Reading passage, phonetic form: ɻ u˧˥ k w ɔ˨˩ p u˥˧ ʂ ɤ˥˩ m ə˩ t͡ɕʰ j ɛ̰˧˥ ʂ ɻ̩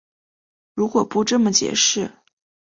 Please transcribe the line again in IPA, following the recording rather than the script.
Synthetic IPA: ɻ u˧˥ k w ɔ˨˩ p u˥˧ ʈ͡ʂ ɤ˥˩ m ə˩ t͡ɕ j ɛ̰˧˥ ʂ ɻ̩